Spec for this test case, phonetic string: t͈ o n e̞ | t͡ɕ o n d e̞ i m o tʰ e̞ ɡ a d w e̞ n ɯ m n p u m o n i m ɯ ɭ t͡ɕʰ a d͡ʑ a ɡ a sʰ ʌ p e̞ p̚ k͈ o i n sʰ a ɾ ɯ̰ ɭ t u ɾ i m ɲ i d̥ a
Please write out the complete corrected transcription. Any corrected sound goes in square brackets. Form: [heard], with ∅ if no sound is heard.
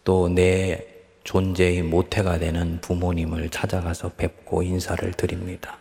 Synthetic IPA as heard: t͈ o n e̞ | t͡ɕ o n [d͡ʑ] e̞ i m o tʰ e̞ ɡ a d w e̞ n ɯ [∅] n p u m o [ɲ] i m ɯ ɭ t͡ɕʰ a d͡ʑ a ɡ a sʰ ʌ p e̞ p̚ k͈ o i n sʰ a ɾ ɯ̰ ɭ t [ɯ] ɾ i m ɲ i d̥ a